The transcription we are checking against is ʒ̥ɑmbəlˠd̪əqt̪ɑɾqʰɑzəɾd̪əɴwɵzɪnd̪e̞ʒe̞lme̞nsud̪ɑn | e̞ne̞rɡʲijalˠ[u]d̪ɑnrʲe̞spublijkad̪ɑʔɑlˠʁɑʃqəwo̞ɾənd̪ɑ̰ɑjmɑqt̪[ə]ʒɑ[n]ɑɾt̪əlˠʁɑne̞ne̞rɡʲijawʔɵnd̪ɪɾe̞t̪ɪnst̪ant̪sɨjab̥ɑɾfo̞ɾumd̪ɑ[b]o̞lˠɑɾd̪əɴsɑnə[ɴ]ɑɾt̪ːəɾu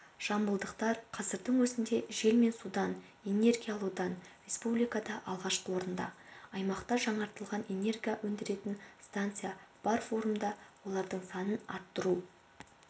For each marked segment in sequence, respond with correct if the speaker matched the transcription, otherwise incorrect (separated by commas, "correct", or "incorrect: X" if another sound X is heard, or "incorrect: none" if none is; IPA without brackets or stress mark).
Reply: correct, incorrect: ɑ, incorrect: ɴ, incorrect: w, incorrect: n